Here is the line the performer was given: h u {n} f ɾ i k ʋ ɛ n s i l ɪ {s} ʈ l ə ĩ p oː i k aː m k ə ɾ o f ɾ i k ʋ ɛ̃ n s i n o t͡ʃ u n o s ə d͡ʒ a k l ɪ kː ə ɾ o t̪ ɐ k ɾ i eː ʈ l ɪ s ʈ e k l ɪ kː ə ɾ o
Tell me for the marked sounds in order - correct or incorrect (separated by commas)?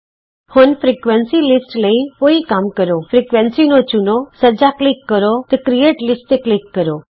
correct, correct